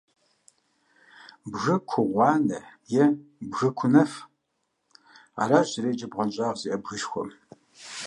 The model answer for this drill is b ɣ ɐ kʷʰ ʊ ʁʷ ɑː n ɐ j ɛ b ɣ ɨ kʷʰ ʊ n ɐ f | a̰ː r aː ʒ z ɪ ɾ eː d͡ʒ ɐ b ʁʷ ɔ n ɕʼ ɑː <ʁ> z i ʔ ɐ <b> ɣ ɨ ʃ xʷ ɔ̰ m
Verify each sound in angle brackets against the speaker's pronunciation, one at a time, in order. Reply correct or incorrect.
correct, correct

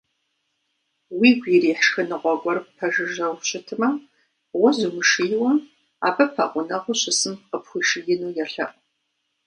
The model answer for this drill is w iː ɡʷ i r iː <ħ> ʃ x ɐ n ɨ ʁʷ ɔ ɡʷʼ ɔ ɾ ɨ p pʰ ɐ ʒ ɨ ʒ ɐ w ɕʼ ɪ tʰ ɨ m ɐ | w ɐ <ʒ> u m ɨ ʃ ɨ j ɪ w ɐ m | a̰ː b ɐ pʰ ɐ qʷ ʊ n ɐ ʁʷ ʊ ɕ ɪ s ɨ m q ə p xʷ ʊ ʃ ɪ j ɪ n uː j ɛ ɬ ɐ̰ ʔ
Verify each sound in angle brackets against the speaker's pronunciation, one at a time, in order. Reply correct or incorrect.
correct, incorrect: z

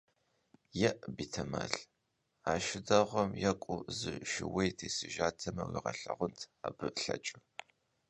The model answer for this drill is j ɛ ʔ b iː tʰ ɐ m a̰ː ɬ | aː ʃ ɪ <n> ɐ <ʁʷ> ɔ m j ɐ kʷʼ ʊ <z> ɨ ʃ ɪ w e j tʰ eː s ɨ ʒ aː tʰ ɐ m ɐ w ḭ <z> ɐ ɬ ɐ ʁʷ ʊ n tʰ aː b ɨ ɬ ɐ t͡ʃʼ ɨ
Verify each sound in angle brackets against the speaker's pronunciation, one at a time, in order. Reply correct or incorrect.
incorrect: d, correct, correct, incorrect: ʁ

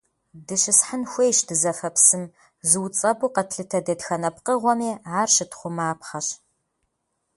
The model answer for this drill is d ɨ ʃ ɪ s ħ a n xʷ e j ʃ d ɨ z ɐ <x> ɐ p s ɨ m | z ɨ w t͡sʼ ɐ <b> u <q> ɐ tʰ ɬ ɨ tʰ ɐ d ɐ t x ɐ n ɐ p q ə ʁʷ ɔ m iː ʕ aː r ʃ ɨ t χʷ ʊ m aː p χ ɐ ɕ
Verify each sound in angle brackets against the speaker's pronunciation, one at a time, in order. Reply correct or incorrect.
incorrect: f, correct, correct

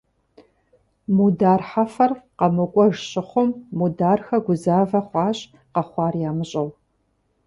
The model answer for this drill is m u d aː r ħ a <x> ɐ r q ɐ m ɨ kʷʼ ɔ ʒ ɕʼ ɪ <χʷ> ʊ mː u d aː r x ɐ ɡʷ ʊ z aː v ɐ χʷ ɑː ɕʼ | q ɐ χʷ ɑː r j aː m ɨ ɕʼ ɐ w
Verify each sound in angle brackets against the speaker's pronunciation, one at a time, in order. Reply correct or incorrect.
incorrect: f, correct

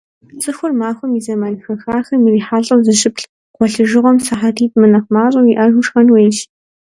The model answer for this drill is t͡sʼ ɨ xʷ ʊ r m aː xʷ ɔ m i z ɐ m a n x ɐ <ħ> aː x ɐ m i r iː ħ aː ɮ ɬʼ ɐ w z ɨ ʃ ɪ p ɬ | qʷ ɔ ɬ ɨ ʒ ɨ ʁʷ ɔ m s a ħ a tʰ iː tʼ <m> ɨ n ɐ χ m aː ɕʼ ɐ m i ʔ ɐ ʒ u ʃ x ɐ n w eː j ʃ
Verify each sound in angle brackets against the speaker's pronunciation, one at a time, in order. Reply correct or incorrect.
incorrect: x, correct

